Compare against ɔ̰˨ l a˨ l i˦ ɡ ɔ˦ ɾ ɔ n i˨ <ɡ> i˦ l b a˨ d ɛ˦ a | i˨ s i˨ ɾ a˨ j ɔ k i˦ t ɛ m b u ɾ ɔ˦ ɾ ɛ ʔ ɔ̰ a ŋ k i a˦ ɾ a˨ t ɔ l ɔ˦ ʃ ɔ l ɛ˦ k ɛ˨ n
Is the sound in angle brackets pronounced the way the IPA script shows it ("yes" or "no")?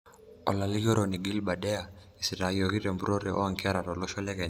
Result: yes